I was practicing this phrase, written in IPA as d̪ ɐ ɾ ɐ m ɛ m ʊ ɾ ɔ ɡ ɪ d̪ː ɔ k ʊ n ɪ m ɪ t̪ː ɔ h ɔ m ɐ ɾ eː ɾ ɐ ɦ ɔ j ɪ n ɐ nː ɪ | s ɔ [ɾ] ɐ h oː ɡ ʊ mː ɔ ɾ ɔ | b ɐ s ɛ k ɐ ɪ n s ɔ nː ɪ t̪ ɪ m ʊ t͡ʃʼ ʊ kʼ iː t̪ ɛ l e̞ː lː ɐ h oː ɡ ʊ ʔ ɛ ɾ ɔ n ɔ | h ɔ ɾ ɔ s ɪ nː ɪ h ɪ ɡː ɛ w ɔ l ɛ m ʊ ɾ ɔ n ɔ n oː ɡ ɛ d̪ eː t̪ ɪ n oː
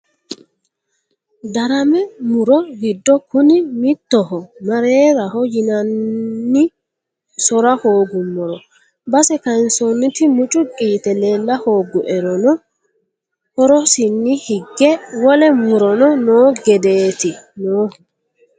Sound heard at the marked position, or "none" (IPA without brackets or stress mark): ɾ